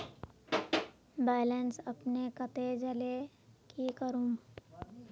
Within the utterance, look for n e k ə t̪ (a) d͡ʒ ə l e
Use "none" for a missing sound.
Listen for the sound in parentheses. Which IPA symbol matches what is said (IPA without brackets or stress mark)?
e